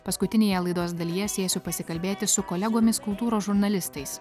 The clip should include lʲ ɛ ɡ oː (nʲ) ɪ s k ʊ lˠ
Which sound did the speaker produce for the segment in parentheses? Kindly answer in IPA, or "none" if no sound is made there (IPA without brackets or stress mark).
mʲ